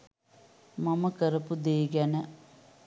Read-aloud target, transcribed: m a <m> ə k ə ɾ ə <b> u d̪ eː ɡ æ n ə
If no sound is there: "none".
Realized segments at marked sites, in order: m, p

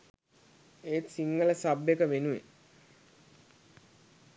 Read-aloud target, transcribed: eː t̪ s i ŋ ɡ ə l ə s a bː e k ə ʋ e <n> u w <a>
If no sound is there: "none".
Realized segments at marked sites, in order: n, e

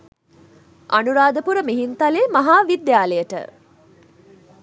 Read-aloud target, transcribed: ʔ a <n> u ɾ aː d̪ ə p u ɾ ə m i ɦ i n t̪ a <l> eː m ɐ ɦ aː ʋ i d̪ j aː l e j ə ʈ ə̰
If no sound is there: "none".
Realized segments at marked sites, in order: n, l

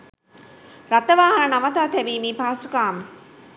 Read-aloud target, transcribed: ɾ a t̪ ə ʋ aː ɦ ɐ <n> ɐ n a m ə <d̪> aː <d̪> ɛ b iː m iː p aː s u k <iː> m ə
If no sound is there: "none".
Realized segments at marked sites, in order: n, t̪, t̪, aː

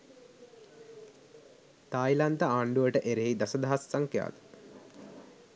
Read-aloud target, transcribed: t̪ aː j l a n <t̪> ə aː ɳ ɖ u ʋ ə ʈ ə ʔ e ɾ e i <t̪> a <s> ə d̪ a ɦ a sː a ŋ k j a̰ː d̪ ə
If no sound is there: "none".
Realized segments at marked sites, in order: t̪, d̪, s

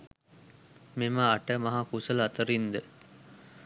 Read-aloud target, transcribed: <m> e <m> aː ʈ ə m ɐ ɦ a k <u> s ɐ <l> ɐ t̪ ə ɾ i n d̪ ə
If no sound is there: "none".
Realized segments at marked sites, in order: m, m, u, l

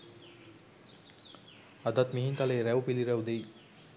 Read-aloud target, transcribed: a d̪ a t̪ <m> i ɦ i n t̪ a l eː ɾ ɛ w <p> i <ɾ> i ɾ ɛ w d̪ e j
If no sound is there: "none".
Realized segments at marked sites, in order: m, p, l

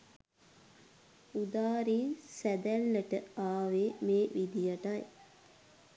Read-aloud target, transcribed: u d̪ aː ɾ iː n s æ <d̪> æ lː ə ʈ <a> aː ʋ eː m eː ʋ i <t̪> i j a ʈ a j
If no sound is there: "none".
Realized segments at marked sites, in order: d̪, ə, d̪

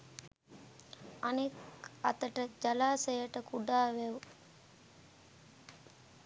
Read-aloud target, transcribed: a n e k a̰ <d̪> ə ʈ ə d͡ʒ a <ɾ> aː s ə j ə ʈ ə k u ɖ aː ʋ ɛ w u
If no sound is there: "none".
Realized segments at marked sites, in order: t̪, l

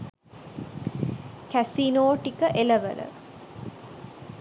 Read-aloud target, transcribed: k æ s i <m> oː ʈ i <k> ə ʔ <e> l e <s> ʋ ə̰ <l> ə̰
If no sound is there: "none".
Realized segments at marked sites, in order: n, k, e, none, l

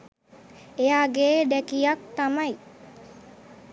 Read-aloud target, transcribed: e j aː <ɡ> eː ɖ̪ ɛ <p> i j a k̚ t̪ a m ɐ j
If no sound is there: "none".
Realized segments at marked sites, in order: ɡ, k

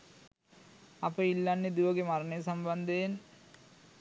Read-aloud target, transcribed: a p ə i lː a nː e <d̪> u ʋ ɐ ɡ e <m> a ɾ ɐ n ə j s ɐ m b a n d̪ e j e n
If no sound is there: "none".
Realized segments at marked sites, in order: d̪, m

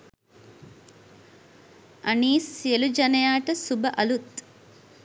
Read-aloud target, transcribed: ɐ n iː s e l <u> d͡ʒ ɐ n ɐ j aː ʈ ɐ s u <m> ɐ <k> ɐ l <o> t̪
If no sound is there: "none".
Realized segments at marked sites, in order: u, b, ʔ, u

